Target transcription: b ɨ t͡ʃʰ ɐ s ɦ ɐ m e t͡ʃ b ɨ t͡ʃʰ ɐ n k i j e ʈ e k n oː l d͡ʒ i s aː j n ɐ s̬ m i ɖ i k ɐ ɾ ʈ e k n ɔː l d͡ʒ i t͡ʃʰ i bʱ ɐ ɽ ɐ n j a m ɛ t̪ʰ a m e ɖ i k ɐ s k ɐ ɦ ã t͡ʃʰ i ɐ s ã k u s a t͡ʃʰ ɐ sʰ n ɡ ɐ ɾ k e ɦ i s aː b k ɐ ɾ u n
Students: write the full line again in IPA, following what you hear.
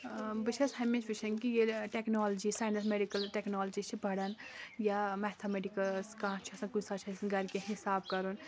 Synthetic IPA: b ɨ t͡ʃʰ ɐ s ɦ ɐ m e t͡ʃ b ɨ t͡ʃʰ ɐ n k i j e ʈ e k n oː l d͡ʒ i s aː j n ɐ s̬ m e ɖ i k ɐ l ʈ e k n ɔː l d͡ʒ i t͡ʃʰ i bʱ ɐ ɽ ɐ n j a m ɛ t̪ʰ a m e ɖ i k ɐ s k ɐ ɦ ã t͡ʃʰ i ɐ s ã k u s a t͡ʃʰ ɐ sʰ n ɡ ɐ ɾ k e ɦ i s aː b k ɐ ɾ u n